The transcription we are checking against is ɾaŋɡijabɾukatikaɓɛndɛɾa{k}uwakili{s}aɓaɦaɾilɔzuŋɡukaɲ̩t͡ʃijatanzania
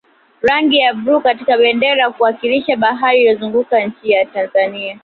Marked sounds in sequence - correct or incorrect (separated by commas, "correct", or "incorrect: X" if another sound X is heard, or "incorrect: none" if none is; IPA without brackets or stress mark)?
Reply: correct, incorrect: ʃ